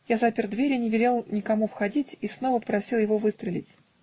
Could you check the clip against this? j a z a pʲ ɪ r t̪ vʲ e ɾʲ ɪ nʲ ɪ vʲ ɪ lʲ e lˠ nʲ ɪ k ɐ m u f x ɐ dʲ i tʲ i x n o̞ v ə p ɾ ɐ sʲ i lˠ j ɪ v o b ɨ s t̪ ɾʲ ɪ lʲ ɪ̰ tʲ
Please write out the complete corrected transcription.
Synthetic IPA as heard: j a z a pʲ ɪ r d̪ vʲ e ɾʲ ɪ nʲ ɪ vʲ ɪ lʲ e lˠ nʲ ɪ k ɐ m u f x ɐ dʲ i tʲ i s n o̞ v ə p ɾ ɐ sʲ i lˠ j ɪ v o v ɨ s t̪ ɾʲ ɪ lʲ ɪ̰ tʲ